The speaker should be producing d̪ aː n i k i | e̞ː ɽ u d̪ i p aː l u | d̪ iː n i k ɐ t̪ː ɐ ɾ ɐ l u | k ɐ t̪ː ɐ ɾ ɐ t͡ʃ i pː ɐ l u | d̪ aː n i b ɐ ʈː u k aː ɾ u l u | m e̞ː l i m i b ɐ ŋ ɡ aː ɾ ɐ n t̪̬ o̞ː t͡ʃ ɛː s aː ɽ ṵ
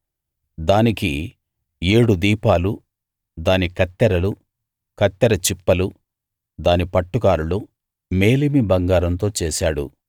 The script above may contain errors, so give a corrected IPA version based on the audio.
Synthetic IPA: d̪ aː n i k i | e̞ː ɽ u d̪ iː p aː l u | d̪ aː n i k ɐ t̪ː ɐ ɾ ɐ l u | k ɐ t̪ː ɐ ɾ ɐ t͡ʃ i pː ɐ l u | d̪ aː n i p ɐ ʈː u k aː ɾ u l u | m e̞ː l i m i b ɐ ŋ ɡ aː ɾ ɐ n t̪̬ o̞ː t͡ʃ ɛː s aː ɽ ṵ